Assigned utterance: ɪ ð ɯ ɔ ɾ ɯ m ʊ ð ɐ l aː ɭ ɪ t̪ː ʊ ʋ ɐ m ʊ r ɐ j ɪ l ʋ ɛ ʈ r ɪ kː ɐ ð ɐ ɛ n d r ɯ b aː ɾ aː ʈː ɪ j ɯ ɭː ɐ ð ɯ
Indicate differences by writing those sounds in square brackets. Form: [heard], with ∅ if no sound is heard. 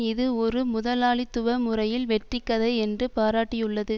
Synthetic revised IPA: ɪ ð ɯ ɔ ɾ ɯ m ʊ ð ɐ l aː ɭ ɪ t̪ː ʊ ʋ ɐ m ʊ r ɐ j ɪ l ʋ ɛ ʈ r ɪ kː ɐ ð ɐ ɛ n d r ɯ [p] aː ɾ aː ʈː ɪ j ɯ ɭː ɐ ð ɯ